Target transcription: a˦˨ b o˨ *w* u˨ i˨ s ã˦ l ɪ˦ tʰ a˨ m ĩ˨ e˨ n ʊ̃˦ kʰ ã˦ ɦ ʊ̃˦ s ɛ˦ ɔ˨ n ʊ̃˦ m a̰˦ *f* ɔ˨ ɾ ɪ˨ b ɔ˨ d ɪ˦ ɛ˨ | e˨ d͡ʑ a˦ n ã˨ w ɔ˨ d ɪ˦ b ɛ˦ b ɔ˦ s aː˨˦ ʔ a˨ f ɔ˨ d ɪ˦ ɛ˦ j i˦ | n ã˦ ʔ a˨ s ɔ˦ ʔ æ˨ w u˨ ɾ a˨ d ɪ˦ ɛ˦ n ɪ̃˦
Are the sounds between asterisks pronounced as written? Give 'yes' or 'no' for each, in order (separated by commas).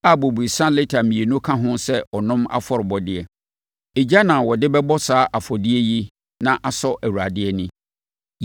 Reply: no, yes